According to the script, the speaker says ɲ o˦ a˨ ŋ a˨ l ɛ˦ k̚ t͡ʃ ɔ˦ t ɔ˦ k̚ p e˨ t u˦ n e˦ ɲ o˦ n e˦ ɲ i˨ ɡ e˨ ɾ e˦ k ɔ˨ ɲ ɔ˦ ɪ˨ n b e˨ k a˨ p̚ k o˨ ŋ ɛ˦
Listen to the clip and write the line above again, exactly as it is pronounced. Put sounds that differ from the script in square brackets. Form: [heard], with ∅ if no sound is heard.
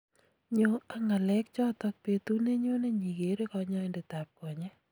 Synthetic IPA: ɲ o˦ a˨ ŋ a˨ l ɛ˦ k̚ t͡ʃ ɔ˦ t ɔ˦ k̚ p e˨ t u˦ n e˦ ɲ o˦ n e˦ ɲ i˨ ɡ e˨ ɾ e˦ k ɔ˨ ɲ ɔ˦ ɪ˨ n [d] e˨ [t] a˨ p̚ k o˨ [ɲ] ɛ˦